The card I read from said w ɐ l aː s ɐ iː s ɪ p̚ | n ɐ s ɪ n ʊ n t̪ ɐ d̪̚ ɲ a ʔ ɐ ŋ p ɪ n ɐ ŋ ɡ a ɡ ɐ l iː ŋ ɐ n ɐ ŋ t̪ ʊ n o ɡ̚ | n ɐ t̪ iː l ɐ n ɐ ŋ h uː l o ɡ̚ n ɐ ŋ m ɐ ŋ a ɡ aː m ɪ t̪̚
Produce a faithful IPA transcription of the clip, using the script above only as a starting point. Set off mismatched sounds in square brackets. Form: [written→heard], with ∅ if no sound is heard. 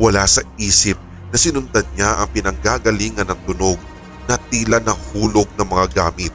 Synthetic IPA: w ɐ l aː s ɐ iː s ɪ p̚ | n ɐ s ɪ n ʊ n t̪ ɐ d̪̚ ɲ a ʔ ɐ ŋ p ɪ n ɐ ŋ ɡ a ɡ ɐ l iː ŋ ɐ n ɐ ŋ t̪ ʊ n o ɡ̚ | n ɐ t̪ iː l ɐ n ɐ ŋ h uː l o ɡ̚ n ɐ ŋ m ɐ ŋ a ɡ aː m ɪ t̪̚